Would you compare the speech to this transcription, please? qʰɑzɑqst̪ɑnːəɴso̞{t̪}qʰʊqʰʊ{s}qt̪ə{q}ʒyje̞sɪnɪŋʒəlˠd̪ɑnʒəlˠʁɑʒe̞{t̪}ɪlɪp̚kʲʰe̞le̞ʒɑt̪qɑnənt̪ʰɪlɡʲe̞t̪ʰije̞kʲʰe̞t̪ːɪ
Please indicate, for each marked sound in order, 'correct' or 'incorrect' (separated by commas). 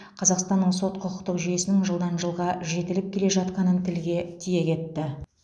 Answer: correct, incorrect, correct, correct